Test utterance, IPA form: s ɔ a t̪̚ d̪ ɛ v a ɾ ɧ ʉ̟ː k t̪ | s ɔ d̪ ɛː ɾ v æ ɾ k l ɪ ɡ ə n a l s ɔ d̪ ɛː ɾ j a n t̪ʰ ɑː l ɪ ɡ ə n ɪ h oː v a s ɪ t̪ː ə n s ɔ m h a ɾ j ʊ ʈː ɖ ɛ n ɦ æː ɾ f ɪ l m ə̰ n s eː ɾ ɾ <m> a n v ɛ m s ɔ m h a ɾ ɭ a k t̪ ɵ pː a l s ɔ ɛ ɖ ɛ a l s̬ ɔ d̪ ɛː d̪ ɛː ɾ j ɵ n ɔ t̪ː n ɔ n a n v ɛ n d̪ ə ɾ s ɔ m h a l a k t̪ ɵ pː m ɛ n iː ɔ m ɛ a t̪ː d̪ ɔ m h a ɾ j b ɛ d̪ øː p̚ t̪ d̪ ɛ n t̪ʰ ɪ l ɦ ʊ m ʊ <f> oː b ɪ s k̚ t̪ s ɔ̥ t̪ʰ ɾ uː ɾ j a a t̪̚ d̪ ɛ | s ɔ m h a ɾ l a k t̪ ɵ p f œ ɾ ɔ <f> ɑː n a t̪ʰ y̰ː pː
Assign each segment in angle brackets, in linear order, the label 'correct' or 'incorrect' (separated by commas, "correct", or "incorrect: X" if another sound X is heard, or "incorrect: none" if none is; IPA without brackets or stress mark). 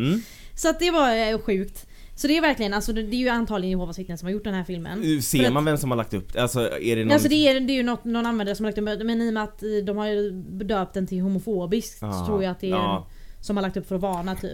correct, correct, incorrect: v